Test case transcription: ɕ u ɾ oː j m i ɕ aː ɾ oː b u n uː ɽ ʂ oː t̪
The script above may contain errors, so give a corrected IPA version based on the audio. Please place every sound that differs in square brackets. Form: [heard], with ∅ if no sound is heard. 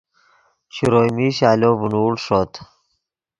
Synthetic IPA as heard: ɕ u ɾ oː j m i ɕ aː [l] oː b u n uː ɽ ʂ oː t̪